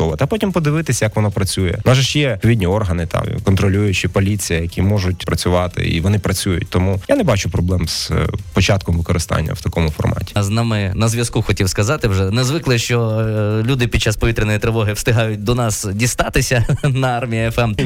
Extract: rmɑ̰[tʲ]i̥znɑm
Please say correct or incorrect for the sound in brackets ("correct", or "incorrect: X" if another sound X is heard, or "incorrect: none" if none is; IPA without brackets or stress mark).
correct